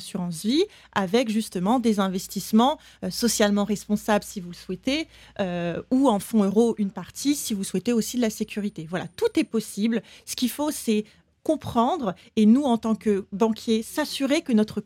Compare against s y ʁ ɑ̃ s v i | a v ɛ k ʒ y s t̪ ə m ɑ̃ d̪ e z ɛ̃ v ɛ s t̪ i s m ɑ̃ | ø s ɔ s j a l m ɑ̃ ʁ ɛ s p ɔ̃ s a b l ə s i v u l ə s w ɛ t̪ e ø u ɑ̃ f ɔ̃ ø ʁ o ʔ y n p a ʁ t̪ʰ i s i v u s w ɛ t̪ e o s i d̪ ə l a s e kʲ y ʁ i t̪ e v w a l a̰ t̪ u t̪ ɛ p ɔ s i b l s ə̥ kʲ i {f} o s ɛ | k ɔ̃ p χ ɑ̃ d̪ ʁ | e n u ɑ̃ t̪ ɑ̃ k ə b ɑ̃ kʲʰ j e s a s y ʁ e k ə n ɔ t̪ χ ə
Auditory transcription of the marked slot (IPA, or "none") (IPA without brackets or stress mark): f